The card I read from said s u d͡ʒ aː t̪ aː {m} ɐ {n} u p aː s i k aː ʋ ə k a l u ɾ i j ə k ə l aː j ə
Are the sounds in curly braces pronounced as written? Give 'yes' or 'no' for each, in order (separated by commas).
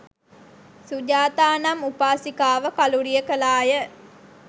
no, no